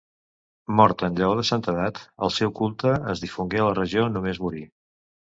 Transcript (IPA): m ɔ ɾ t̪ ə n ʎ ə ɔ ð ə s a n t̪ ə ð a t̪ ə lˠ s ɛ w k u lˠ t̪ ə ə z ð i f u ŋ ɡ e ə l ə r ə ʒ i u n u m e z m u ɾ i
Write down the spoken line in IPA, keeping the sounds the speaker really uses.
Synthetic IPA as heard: m ɔ ɾ t̪ ə n ʎ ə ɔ ð ə s a n t̪ ə ð a t̪ ə lˠ s ɛ w k u lˠ t̪ ə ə z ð i f u ŋ ɡ e ə l ə r ə ʒ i o n u m e z m u ɾ i

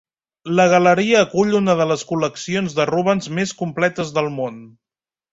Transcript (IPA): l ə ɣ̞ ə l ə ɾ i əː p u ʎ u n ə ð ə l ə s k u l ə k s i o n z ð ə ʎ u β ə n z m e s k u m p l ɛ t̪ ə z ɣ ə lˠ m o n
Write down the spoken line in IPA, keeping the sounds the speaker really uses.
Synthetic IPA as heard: l ə ɣ̞ ə l ə ɾ i əː k u ʎ u n ə ð ə l ə s k u l ə k s i o n z ð ə r u β ə n z m e s k u m p l ɛ t̪ ə z ð ə lˠ m o n

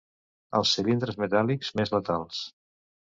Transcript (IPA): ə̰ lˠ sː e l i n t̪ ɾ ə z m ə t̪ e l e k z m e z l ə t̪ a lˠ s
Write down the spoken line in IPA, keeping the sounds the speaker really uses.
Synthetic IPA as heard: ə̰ lˠ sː i l i n d̪ ɾ ə z m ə t̪ a l i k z m e z l ə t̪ a lˠ s

